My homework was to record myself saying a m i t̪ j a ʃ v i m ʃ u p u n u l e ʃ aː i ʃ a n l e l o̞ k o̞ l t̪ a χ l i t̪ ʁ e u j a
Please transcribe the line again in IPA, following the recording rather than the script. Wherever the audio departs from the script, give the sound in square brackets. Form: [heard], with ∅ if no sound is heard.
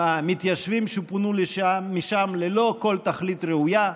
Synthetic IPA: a m i t̪ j a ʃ v i m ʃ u p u n u l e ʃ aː i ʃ a [m] l e l o̞ k o̞ l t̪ a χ l i t̪ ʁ e u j a